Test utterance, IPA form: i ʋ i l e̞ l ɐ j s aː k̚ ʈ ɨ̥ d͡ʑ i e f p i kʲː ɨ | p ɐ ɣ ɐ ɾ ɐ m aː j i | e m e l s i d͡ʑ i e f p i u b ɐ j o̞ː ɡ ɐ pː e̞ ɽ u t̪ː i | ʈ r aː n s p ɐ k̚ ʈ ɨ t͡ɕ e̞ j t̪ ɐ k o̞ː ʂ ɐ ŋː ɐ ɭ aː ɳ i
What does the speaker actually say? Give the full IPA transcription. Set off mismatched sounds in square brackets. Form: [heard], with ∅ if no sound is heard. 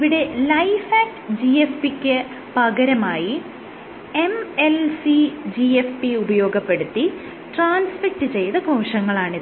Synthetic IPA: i ʋ i [ɽ] e̞ l ɐ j [f] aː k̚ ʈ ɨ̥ d͡ʑ i e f p i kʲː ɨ | p ɐ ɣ ɐ ɾ ɐ m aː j i | e m e l s i d͡ʑ i e f p i u b ɐ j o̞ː ɡ ɐ pː e̞ ɽ u t̪ː i | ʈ r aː n s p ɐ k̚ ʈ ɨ t͡ɕ e̞ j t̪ ɐ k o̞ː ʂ ɐ ŋː ɐ ɭ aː ɳ i